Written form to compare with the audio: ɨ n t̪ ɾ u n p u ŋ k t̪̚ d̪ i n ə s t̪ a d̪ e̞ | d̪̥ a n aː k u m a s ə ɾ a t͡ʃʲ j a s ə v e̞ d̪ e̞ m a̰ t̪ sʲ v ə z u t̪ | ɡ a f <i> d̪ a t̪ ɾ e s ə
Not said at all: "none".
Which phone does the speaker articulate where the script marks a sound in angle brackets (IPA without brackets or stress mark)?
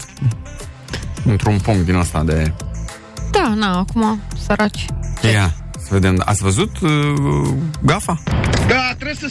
a